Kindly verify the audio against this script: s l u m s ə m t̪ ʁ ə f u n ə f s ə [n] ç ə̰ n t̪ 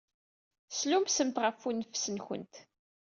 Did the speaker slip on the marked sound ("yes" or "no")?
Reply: no